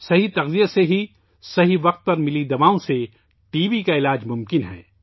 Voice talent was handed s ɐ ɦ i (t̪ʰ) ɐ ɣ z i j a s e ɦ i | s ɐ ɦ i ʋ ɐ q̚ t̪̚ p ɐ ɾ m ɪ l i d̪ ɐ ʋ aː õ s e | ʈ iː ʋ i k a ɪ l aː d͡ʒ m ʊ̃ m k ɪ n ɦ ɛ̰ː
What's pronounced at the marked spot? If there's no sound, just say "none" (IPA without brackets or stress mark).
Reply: t̪